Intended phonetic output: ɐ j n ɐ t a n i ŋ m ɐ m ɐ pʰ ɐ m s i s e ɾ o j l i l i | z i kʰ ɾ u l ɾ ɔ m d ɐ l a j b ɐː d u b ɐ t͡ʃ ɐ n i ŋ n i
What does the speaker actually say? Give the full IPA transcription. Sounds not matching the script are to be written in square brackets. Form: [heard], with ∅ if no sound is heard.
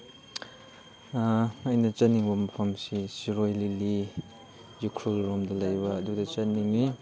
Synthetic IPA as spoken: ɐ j n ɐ [t͡ʃ] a n i ŋ [b] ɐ m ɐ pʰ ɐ m s i s [i] ɾ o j l i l i | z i kʰ ɾ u l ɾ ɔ m d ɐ l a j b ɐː d u [d] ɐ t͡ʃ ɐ n i ŋ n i